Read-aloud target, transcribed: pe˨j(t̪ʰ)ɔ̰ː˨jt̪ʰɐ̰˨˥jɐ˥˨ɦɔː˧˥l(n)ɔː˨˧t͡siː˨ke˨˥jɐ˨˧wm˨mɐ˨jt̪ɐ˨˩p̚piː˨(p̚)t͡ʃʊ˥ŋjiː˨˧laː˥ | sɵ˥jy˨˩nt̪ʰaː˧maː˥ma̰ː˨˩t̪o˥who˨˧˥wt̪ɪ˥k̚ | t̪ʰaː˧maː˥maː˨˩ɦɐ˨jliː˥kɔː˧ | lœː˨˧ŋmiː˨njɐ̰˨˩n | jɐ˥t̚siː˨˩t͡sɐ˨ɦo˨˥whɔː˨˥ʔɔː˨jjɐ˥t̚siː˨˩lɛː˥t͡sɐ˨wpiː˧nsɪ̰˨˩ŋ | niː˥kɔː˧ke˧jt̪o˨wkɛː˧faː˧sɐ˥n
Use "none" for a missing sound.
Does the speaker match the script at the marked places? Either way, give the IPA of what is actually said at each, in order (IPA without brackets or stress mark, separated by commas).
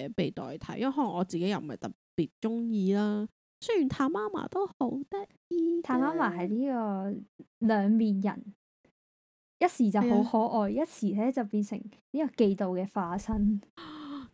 t̪, ŋ, t̚